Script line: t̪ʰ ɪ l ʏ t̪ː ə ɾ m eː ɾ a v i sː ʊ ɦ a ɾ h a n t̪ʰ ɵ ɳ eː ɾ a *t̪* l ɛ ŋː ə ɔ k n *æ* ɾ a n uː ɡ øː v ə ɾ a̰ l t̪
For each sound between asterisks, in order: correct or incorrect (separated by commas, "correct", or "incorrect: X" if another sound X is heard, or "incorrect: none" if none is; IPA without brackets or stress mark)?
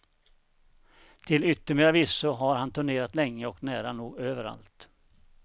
correct, incorrect: æː